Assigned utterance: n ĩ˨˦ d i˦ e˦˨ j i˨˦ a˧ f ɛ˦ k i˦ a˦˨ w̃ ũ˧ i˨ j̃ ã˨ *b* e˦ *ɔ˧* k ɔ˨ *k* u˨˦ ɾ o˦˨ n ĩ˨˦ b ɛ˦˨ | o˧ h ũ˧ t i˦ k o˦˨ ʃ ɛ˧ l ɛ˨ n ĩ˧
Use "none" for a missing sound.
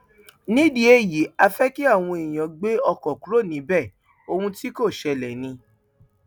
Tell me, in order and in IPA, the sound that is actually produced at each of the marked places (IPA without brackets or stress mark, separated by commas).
ɡ͡b, ɔ˧, k